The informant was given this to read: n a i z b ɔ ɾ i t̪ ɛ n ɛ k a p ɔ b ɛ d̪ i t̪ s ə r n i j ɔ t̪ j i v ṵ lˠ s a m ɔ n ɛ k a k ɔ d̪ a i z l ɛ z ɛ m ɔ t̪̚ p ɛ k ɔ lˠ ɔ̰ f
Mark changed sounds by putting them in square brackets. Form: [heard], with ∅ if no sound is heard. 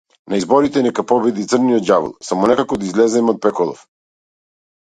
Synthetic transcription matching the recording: n a i z b ɔ ɾ i t̪ ɛ n ɛ k a p ɔ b ɛ d̪ i t̪ s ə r n i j ɔ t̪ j [a] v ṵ lˠ s a m ɔ n ɛ k a k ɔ d̪ a i z l ɛ z ɛ m ɔ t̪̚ p ɛ k ɔ lˠ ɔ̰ f

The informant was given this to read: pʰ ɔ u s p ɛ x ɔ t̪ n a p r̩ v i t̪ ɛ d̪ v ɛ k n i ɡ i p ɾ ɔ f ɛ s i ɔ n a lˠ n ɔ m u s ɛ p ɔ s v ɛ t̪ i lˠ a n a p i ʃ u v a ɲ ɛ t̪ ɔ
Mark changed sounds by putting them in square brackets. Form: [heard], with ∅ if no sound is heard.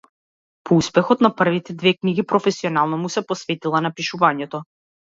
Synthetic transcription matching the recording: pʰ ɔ u s p ɛ x ɔ t̪ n a p r̩ v i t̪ ɛ d̪ v ɛ k n i ɡ i p ɾ ɔ f ɛ s i ɔ n a lˠ n ɔ m u s ɛ p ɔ s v ɛ t̪ i lˠ a n a p i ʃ u v a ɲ ɛ t̪ ɔ

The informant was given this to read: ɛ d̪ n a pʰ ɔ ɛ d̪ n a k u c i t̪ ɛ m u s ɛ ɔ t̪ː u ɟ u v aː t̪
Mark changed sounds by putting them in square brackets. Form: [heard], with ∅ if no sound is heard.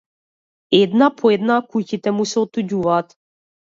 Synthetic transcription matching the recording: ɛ d̪ n a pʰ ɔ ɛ d̪ n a k u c i t̪ ɛ m u s ɛ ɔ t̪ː u ɟ u v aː t̪

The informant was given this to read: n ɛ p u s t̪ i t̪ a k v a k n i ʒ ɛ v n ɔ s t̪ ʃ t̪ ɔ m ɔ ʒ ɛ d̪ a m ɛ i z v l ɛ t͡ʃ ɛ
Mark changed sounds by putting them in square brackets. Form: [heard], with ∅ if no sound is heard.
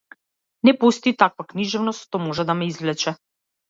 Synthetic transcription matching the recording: n ɛ p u s t̪ i t̪ a k v a k n i ʒ ɛ v n ɔ s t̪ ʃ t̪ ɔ m ɔ ʒ ɛ d̪ a m ɛ i z v l ɛ t͡ʃ ɛ

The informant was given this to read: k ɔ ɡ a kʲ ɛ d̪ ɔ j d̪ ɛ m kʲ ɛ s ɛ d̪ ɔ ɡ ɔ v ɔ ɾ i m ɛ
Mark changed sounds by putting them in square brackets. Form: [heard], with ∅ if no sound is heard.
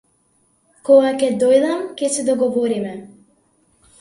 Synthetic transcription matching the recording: k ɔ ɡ a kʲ ɛ d̪ ɔ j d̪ [a] m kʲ ɛ s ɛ d̪ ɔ ɡ ɔ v ɔ ɾ i m ɛ

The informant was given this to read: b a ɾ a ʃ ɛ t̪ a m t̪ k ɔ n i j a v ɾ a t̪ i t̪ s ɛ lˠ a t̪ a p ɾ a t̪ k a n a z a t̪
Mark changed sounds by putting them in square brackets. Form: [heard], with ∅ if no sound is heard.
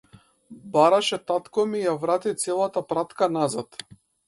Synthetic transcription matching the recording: b a ɾ a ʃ ɛ t̪ a [∅] t̪ k ɔ [m] i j a v ɾ a t̪ i t̪ s ɛ lˠ a t̪ a p ɾ a t̪ k a n a z a t̪

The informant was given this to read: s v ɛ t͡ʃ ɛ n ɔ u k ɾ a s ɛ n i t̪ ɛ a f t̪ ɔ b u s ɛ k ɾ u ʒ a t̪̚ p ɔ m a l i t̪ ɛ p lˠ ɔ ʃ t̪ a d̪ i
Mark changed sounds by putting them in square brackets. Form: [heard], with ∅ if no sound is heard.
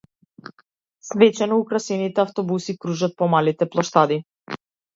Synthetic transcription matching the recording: s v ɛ t͡ʃ ɛ n ɔ u k ɾ a s ɛ n i t̪ ɛ a f t̪ ɔ b u s [i] k ɾ u ʒ a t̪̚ p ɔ m a l i t̪ ɛ p lˠ ɔ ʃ t̪ a d̪ i

